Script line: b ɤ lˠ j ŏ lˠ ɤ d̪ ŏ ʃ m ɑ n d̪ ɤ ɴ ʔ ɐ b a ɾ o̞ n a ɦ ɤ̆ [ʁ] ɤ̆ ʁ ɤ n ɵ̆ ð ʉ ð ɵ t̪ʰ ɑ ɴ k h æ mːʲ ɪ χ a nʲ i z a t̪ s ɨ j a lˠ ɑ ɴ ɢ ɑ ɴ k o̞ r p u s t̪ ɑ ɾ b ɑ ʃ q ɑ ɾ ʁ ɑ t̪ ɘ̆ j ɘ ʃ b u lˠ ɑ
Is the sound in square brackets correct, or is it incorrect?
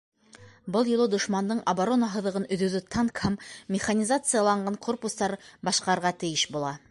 incorrect